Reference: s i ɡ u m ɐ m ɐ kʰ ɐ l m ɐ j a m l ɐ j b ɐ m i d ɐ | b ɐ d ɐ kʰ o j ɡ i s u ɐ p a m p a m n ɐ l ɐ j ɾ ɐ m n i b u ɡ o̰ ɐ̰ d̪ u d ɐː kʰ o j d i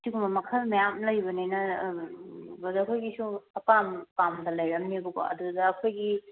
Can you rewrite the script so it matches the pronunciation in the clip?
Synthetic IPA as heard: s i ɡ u m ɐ m ɐ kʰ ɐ l m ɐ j a m l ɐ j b ɐ n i n ɐ | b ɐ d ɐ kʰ o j ɡ i s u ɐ p a m p a m d ɐ l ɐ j ɾ ɐ m n i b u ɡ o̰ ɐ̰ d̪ u d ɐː kʰ o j ɡ i